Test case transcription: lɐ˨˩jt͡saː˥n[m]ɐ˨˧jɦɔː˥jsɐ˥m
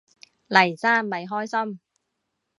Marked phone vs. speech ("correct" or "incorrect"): correct